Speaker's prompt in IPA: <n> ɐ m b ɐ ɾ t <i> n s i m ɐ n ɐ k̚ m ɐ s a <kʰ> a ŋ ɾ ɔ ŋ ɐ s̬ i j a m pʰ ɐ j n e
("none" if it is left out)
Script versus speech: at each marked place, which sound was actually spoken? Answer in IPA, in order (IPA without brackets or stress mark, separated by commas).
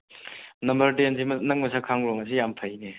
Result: n, e, kʰ